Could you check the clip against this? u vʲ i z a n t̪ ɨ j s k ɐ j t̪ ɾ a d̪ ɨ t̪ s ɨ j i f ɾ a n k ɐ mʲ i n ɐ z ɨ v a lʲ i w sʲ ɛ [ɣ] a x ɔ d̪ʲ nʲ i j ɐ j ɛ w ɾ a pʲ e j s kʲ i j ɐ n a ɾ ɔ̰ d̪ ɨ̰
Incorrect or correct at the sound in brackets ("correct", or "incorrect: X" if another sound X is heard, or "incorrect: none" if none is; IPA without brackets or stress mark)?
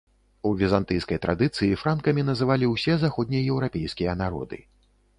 incorrect: z